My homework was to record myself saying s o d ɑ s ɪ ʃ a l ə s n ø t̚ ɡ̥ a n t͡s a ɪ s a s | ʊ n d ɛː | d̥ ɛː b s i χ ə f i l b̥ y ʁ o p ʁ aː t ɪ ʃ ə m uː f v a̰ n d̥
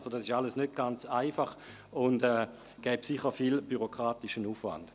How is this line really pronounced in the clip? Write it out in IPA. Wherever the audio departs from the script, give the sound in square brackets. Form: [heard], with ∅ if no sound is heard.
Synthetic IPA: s o d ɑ s ɪ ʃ a l ə s n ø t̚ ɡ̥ a n t͡s a ɪ [f] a [χ] | ʊ n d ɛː | [ɡ̥] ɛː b s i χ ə f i l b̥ y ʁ o [k] ʁ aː t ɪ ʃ ə [n] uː f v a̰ n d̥